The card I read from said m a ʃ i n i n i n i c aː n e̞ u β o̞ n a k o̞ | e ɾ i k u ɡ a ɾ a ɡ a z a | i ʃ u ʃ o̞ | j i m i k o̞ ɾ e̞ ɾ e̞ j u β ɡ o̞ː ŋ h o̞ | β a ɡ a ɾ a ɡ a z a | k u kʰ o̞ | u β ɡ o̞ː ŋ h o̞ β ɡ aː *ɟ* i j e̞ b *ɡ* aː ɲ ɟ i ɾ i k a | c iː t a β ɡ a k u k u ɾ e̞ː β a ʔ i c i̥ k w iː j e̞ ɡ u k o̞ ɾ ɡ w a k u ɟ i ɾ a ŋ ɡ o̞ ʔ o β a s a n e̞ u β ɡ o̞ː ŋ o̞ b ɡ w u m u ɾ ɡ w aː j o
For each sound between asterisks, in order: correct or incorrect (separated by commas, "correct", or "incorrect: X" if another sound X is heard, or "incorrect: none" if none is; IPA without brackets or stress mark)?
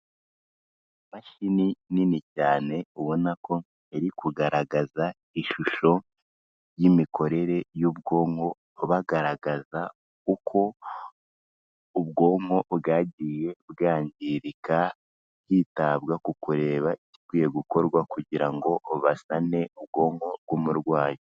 correct, correct